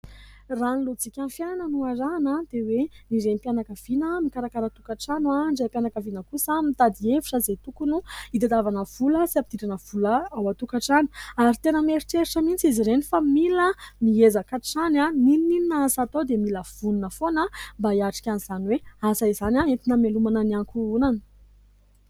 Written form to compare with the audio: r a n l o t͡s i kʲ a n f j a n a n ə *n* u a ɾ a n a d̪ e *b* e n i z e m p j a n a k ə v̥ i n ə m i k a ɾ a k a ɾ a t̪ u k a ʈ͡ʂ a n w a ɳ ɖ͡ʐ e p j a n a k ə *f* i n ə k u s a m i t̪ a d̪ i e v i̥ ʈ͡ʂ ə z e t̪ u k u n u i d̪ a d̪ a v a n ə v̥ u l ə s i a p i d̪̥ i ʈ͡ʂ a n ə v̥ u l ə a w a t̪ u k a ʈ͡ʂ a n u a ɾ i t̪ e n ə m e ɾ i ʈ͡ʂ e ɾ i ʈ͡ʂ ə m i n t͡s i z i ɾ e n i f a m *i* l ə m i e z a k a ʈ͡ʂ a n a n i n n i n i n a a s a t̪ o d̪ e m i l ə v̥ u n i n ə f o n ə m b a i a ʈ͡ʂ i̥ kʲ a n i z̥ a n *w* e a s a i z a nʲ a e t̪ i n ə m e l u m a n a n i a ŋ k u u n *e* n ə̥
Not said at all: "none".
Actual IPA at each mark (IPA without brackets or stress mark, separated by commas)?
n, w, v, i, w, a